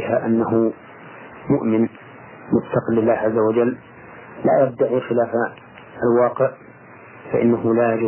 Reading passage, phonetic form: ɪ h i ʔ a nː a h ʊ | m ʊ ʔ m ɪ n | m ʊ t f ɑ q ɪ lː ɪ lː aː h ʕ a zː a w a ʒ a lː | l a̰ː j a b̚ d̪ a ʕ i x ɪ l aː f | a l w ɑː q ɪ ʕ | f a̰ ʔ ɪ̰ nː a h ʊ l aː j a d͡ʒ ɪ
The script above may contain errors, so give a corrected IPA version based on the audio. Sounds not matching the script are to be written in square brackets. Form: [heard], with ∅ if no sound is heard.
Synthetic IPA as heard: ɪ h [a] ʔ a nː a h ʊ | m ʊ ʔ m ɪ n | m ʊ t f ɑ q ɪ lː ɪ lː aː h ʕ a zː a w a [d͡ʒ] a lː | l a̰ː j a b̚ d̪ a ʕ i x ɪ l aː f | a l w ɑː q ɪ ʕ | f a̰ ʔ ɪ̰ nː a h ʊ l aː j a d͡ʒ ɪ